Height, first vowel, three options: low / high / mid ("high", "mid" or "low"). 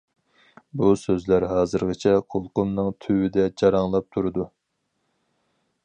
high